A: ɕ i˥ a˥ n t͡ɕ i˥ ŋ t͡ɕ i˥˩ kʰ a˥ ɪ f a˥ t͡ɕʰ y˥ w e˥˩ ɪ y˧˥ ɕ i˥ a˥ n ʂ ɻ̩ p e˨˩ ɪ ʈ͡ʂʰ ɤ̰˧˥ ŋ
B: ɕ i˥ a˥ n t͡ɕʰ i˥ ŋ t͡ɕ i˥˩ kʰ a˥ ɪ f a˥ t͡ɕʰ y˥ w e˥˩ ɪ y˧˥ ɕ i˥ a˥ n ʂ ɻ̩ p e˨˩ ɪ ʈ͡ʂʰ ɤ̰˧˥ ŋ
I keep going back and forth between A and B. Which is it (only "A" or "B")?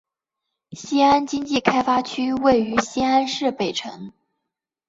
A